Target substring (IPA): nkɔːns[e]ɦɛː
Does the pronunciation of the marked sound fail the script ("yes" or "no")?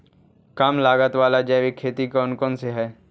no